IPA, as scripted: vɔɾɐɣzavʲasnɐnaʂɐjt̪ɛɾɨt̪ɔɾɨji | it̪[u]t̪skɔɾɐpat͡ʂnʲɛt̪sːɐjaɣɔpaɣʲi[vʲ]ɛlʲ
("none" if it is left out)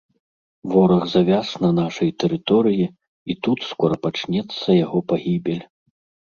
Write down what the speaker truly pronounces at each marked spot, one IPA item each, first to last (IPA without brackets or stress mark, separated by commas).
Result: u, bʲ